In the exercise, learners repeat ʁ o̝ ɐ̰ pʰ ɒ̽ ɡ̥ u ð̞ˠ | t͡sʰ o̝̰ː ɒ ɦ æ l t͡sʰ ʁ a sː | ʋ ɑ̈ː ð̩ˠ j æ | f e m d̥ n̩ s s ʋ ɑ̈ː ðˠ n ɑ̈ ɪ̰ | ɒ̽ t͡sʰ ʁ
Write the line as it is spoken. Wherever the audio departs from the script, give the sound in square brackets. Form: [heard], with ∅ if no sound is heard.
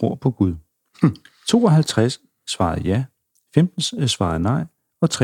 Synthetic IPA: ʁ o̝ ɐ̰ pʰ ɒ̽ ɡ̥ u ð̞ˠ | t͡sʰ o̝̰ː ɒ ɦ æ l t͡sʰ ʁ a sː | ʋ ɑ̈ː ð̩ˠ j æ | f e m d̥ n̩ s s ʋ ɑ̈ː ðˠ n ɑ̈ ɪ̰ | ɒ̽ t͡sʰ ʁ